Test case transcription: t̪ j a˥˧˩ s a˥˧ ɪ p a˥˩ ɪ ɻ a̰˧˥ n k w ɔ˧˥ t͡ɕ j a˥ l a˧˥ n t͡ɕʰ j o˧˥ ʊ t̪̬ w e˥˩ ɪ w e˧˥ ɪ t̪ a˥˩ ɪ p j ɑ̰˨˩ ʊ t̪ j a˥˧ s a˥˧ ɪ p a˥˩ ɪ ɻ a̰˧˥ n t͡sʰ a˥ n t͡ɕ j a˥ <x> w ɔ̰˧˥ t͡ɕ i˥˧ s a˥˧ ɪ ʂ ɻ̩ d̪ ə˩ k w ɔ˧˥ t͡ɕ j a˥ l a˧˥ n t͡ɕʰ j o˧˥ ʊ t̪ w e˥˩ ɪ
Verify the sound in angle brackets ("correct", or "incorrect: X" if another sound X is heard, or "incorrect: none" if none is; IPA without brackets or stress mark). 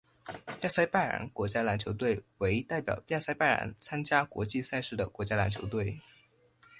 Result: incorrect: k